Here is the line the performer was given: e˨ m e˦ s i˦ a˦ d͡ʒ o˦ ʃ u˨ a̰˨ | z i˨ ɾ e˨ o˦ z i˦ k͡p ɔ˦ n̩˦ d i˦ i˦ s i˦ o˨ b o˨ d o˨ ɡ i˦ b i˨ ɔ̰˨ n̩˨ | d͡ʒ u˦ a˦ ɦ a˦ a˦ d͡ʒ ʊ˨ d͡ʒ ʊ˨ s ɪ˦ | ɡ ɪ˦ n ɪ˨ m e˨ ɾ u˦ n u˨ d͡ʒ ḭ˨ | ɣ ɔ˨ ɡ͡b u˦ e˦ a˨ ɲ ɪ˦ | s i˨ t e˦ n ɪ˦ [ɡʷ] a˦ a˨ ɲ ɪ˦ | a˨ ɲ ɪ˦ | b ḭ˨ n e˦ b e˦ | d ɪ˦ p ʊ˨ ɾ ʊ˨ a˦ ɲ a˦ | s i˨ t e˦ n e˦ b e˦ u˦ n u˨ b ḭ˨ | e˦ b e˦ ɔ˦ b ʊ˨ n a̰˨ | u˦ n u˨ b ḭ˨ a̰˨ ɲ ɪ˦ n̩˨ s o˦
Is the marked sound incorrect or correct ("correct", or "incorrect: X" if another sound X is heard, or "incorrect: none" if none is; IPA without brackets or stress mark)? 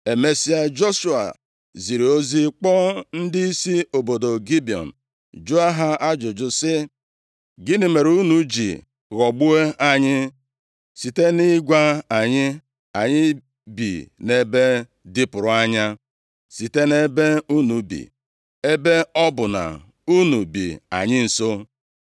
correct